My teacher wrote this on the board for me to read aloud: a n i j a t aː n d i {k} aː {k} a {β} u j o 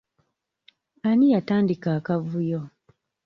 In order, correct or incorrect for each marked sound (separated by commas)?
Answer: correct, correct, incorrect